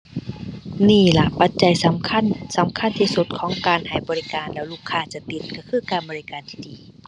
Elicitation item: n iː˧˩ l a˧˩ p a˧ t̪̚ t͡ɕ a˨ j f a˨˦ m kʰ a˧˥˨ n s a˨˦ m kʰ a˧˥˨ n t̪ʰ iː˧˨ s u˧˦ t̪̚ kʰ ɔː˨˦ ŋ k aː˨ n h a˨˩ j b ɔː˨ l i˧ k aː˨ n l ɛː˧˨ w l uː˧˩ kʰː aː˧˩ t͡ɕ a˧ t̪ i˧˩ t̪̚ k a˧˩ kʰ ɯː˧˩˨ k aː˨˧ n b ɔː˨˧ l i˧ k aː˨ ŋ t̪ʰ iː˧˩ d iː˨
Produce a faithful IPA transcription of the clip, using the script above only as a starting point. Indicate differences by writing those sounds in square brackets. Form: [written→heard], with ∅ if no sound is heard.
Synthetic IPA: n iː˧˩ l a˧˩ p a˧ t̪̚ t͡ɕ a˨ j [f→s] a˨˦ m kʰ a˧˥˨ n s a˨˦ m kʰ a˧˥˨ n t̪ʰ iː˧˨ s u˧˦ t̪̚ kʰ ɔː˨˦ ŋ k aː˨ n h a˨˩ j b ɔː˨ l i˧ k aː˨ n l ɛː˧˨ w l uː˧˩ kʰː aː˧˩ t͡ɕ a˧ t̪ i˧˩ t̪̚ k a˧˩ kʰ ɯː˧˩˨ k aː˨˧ n b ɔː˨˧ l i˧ k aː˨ [ŋ→n] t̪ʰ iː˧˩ d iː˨